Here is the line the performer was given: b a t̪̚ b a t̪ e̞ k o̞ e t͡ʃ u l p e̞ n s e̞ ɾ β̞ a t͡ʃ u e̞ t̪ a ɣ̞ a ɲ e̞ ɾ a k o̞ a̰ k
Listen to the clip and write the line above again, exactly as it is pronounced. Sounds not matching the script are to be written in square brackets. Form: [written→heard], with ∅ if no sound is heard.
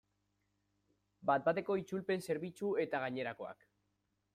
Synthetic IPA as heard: b a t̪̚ b a t̪ e̞ k o̞ [e→i] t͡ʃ u l p e̞ n s e̞ ɾ β̞ [a→i] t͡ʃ u e̞ t̪ a ɣ̞ a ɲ e̞ ɾ a k o̞ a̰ k